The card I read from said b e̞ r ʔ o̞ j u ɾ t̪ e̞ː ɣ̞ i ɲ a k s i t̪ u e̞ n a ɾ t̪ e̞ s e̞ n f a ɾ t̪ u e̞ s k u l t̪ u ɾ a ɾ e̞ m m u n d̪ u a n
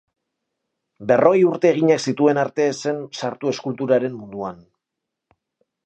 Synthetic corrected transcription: b e̞ r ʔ o̞ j u ɾ t̪ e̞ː ɣ̞ i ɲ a k s i t̪ u e̞ n a ɾ t̪ e̞ s e̞ n s a ɾ t̪ u e̞ s k u l t̪ u ɾ a ɾ e̞ m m u n d̪ u a n